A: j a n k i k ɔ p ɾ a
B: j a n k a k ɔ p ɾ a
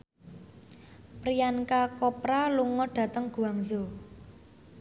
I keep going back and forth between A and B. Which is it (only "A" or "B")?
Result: B